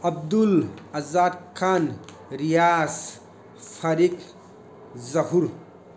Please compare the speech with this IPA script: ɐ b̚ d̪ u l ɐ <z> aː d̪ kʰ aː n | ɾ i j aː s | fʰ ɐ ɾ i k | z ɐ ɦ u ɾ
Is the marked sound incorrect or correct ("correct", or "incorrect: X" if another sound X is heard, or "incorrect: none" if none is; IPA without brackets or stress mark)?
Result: correct